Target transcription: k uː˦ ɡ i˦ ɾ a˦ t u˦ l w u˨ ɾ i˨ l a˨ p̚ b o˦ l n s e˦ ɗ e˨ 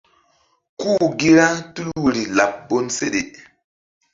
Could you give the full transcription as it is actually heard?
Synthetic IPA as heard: k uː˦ ɡ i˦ ɾ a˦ t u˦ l w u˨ ɾ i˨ l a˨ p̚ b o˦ n s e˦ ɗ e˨